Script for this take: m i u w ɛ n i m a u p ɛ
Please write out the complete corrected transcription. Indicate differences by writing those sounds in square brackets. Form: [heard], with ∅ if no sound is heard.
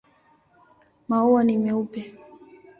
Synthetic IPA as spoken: m [a] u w [a] n i m [ɛ] u p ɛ